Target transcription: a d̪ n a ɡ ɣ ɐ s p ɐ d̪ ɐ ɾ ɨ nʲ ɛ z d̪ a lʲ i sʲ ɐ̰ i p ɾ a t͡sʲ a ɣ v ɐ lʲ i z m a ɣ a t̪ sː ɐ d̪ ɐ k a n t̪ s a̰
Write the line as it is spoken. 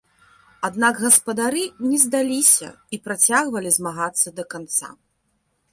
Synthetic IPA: a d̪ n a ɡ ɣ ɐ s p ɐ d̪ a ɾ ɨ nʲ ɛ z d̪ a lʲ i sʲ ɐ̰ i p ɾ a t͡sʲ a ɣ v ɐ lʲ i z m a ɣ a t̪ sː ɐ d̪ ɐ k a n t̪ s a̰

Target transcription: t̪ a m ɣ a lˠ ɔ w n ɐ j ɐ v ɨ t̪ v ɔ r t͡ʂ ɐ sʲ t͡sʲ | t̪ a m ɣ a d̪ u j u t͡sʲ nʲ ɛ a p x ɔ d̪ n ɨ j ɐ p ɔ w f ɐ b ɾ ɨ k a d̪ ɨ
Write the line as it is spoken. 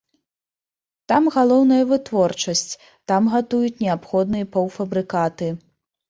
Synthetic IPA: t̪ a m ɣ a lˠ ɔ w n ɐ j ɐ v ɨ t̪ v ɔ r t͡ʂ ɐ sʲ t͡sʲ | t̪ a m ɣ a t̪ u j u t͡sʲ nʲ ɛ a p x ɔ d̪ n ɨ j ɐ p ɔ w f ɐ b ɾ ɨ k a t̪ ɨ

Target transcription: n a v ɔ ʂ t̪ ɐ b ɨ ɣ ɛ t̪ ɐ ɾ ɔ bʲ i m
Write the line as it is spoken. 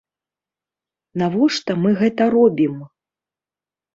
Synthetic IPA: n a v ɔ ʂ t̪ ɐ m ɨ ɣ ɛ t̪ ɐ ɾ ɔ bʲ i m

